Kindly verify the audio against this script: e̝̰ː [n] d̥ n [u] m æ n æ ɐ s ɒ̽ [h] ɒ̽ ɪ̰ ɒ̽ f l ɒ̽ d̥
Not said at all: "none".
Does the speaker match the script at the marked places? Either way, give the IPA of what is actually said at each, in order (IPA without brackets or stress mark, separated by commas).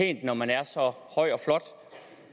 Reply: n, ɒ, h